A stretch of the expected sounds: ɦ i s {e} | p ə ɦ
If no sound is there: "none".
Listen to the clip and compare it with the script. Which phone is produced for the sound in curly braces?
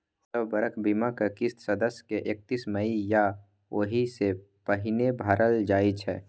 e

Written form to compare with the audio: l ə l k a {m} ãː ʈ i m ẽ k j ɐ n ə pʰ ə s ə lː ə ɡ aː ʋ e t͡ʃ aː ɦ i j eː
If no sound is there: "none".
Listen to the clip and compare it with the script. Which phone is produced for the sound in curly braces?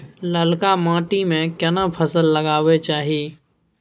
m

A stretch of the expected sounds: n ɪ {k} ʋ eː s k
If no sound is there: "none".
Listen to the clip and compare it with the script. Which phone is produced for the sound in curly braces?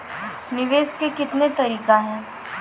none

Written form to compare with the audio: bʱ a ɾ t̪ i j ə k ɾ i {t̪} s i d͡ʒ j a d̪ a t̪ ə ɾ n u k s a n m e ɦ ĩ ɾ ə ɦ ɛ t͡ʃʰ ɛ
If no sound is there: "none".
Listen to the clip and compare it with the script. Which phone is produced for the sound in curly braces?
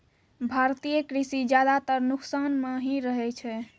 none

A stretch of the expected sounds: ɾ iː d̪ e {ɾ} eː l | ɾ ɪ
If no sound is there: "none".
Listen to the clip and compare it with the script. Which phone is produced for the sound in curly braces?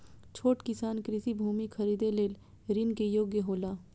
l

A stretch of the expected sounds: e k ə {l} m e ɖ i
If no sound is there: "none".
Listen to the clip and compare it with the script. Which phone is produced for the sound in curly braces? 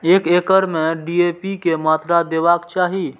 ɾ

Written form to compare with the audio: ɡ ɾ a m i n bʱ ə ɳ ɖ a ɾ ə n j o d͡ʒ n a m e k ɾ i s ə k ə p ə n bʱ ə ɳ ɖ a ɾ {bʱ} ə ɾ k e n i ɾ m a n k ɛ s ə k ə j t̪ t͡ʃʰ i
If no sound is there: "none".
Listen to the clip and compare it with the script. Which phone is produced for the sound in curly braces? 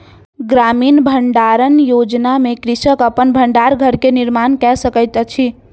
ɡʱ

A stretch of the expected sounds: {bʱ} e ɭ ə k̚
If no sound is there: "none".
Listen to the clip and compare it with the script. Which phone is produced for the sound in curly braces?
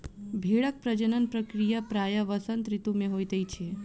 bʱ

